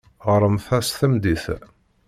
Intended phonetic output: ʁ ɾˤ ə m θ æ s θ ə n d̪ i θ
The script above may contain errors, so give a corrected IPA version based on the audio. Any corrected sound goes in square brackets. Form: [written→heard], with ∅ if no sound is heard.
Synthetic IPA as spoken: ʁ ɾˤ ə m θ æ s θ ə [n→m] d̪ i θ